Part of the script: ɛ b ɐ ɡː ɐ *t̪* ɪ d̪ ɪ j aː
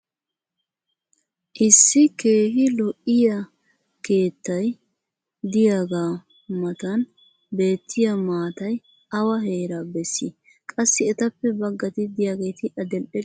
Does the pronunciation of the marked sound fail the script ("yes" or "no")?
no